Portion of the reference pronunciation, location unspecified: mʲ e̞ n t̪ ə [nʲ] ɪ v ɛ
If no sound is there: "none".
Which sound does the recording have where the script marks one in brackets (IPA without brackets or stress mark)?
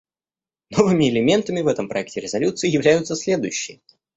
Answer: mʲ